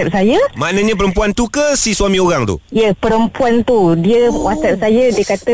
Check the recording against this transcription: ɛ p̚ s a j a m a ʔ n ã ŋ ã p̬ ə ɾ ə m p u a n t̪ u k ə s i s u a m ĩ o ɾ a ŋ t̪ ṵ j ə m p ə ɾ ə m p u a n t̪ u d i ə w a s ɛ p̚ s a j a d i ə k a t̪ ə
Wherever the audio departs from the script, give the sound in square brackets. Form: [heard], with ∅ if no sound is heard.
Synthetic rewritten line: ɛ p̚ s a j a m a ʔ n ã [ɲ] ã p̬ ə ɾ ə m p u a n t̪ u k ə s i s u a m ĩ o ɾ a ŋ t̪ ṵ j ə [∅] p ə ɾ ə m p u a n t̪ u d i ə w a s ɛ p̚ s a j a d i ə k a t̪ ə